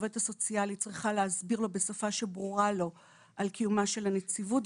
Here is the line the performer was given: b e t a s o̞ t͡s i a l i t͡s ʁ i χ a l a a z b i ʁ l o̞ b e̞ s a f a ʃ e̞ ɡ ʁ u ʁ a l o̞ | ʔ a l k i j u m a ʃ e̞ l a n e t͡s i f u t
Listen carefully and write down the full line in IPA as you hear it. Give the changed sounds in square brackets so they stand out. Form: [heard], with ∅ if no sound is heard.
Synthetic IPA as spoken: [v] e t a s o̞ t͡s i a l i t͡s ʁ i χ a l [e] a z b i ʁ l o̞ b e̞ s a f a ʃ e̞ [b] ʁ u ʁ a l o̞ | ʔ a l k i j u m a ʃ e̞ l a n e t͡s i [v] u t